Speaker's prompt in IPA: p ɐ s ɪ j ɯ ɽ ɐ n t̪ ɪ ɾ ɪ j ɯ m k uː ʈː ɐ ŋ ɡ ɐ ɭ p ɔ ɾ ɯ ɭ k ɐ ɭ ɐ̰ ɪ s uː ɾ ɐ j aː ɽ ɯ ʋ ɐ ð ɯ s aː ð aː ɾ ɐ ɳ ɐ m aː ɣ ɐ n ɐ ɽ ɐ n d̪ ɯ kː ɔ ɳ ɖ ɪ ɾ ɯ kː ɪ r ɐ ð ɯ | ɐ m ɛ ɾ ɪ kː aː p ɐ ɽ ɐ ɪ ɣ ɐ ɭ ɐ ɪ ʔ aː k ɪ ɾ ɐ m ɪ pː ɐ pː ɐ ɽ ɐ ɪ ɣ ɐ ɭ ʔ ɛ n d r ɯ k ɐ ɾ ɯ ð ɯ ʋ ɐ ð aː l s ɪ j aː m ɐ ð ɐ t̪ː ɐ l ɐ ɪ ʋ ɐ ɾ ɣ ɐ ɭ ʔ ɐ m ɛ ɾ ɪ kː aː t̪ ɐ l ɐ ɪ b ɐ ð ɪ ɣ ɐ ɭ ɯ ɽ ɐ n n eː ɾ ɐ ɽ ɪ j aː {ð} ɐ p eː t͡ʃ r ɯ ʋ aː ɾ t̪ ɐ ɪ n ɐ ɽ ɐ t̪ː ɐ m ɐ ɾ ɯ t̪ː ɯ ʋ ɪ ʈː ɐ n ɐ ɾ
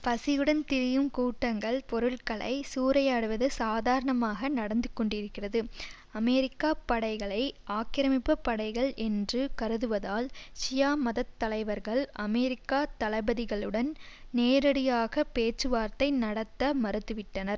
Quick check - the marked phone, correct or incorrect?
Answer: incorrect